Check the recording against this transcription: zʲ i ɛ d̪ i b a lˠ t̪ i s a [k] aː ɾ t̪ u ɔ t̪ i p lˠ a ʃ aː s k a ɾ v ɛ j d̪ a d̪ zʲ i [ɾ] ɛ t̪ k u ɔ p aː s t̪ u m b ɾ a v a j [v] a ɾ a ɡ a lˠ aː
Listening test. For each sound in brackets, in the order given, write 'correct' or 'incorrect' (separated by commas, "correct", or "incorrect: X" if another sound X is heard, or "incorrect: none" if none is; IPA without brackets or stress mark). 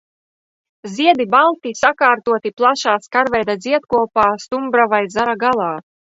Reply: correct, incorrect: none, incorrect: z